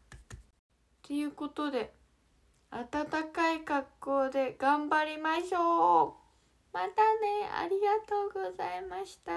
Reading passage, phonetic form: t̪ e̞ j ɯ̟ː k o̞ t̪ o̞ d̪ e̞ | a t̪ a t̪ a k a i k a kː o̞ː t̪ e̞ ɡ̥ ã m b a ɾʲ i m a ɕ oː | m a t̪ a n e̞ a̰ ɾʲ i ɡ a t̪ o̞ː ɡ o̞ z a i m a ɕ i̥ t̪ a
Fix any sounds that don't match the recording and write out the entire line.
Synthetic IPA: t̪ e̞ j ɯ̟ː k o̞ t̪ o̞ d̪ e̞ | a t̪ a t̪ a k a i k a kː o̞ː d̪ e̞ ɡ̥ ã m b a ɾʲ i m a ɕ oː | m a t̪ a n e̞ a̰ ɾʲ i ɡ a t̪ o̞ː ɡ o̞ z a i m a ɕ i̥ t̪ a